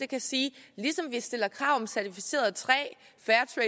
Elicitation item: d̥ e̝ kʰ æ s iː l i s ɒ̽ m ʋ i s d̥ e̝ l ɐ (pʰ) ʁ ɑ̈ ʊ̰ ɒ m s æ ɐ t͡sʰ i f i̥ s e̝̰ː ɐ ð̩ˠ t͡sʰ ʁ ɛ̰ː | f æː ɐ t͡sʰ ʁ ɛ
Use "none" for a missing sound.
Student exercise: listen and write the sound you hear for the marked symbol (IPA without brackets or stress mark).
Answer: kʰ